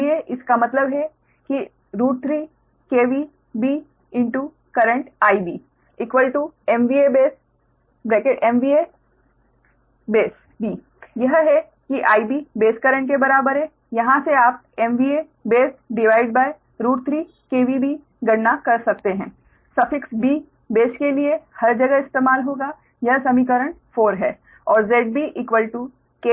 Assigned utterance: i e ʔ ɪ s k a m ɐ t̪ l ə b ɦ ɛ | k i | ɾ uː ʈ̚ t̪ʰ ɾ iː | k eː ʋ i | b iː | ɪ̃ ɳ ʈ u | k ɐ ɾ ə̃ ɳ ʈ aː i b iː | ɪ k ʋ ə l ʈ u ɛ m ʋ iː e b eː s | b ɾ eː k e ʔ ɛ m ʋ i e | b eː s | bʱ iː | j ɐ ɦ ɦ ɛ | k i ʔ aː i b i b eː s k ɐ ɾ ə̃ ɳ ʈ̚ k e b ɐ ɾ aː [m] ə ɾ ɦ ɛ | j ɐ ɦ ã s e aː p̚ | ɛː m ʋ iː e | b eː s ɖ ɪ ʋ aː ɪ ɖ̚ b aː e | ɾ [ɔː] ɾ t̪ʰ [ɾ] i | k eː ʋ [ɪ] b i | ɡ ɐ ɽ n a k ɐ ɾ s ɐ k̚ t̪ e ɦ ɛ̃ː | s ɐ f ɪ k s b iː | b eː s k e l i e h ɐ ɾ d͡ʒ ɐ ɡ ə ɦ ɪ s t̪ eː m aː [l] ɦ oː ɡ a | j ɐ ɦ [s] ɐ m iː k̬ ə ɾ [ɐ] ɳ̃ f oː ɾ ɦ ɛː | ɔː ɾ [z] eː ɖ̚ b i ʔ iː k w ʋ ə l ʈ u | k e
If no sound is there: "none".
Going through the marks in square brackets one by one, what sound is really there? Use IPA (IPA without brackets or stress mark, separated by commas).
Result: b, uː, ɾ, i, l, s, ə, z